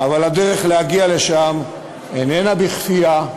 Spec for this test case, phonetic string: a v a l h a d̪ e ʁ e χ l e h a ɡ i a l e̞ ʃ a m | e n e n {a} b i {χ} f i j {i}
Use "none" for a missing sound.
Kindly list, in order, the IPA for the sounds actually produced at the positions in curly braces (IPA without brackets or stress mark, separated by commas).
a, χ, a